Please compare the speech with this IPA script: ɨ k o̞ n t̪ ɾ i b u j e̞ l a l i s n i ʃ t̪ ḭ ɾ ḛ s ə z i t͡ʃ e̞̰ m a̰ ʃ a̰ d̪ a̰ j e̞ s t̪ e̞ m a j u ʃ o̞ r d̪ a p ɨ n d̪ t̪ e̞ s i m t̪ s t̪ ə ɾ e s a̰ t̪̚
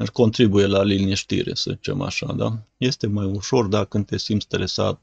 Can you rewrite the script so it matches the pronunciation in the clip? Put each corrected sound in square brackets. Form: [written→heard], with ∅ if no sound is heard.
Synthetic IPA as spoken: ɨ k o̞ n t̪ ɾ i b u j e̞ l a l i [s→∅] n i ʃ t̪ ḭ ɾ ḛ s ə z i t͡ʃ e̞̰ m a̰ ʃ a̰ d̪ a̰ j e̞ s t̪ e̞ m a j u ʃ o̞ r d̪ a [p→k] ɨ n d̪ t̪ e̞ s i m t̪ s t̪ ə ɾ e s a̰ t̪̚